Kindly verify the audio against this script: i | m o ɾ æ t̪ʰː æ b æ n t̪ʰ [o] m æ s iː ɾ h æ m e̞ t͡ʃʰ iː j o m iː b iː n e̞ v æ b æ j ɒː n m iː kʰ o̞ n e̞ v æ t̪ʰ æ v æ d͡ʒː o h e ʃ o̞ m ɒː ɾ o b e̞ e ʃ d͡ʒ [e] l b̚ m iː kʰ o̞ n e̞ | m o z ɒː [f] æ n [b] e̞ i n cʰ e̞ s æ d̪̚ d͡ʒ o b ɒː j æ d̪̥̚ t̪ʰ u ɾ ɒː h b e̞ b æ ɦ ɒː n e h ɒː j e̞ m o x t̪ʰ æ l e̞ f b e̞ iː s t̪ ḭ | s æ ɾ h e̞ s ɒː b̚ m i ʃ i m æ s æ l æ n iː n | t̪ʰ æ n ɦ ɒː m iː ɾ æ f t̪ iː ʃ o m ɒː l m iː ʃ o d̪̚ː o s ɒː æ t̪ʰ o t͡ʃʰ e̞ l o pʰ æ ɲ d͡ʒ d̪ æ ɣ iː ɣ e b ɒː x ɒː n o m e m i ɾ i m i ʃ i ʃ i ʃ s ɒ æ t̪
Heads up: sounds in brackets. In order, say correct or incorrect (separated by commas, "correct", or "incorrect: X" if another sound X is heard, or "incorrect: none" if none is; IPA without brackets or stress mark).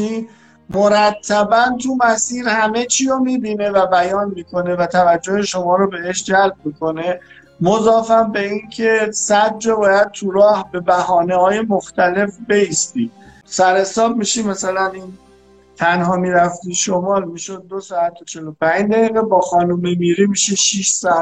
incorrect: u, incorrect: æ, correct, correct